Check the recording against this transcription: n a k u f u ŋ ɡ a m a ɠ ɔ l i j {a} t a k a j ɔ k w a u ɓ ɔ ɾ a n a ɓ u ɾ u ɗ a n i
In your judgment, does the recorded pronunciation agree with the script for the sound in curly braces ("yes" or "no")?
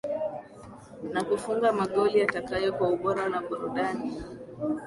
yes